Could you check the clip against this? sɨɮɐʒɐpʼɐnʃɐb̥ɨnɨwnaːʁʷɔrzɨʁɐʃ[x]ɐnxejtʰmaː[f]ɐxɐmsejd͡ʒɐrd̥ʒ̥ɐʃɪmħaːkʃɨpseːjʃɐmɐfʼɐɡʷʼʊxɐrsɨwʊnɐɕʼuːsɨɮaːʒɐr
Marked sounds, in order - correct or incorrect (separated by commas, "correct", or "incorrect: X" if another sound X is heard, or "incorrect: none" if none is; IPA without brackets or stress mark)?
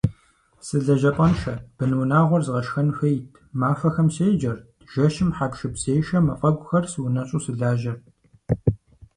correct, correct